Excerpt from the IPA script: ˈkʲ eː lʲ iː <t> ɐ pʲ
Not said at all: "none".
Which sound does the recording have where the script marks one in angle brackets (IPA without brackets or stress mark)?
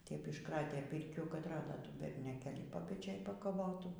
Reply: p